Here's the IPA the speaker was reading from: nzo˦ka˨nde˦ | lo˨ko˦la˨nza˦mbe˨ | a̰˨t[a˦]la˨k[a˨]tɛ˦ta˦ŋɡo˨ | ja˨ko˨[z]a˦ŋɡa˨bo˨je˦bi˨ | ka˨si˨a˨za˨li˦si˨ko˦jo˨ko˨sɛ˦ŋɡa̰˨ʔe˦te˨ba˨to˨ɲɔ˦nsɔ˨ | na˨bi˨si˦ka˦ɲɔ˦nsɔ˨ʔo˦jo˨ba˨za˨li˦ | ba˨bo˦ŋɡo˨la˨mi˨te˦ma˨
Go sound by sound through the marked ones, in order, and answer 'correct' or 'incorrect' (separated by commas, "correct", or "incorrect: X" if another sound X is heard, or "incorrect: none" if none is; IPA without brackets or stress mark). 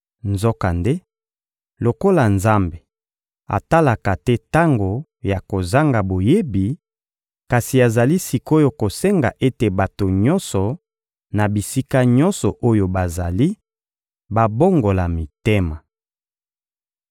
correct, correct, correct